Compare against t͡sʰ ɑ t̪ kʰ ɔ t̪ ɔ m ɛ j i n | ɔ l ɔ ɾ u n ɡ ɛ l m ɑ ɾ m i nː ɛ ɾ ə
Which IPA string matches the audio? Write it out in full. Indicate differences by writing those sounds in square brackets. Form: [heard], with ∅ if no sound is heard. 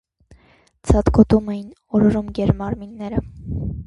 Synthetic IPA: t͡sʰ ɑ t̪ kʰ ɔ t̪ [u] m ɛ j i n | ɔ [ɾ] ɔ ɾ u [m] ɡ ɛ [ɾ] m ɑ ɾ m i nː ɛ ɾ ə